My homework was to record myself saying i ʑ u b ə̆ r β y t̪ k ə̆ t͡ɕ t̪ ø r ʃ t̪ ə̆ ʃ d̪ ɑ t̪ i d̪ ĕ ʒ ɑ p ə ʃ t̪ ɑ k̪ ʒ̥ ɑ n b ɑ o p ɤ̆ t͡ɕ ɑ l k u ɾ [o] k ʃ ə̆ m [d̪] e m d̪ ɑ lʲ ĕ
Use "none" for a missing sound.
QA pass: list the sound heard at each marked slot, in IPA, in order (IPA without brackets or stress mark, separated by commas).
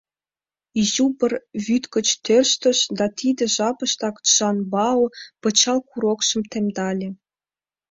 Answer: o, t̪